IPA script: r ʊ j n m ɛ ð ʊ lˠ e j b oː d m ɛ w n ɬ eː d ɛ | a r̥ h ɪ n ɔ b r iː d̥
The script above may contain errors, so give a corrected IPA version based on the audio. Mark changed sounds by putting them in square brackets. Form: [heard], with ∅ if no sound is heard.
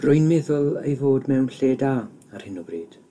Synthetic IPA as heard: r ʊ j n m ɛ ð ʊ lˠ e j [v] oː d m ɛ w n ɬ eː d [a] | a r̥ h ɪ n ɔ b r iː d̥